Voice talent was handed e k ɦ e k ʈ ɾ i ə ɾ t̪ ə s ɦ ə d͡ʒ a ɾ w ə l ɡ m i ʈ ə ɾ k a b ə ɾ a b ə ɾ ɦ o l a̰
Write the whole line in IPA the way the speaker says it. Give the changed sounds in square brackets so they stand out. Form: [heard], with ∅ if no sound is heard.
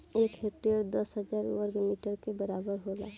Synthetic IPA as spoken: e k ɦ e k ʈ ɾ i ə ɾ [d̪] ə s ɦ ə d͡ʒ a ɾ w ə [ɾ] ɡ m i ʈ ə ɾ k [e] b ə ɾ a b ə ɾ ɦ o l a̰